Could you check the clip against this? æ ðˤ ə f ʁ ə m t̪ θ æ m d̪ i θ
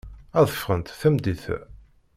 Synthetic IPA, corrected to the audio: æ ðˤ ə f ʁ ə n t̪ θ æ m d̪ i θ